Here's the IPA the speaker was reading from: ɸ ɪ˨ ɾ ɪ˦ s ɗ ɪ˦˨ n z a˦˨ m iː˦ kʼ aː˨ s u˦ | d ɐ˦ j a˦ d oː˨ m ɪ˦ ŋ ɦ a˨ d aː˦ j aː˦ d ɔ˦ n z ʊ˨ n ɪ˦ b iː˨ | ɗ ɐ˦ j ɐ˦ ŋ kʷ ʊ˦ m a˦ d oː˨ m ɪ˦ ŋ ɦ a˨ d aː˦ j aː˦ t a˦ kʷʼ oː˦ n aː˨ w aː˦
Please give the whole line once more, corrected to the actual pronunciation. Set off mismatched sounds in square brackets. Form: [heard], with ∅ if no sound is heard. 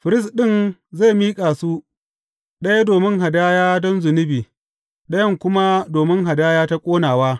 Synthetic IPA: ɸ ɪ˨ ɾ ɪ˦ s ɗ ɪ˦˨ n z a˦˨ m iː˦ kʼ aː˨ s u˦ | [ɗ] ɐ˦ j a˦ d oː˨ m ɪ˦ ŋ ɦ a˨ d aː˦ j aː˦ d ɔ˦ n z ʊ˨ n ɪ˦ b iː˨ | ɗ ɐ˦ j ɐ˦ ŋ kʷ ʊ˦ m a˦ d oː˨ m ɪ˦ ŋ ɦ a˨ d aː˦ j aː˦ t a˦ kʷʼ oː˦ n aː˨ w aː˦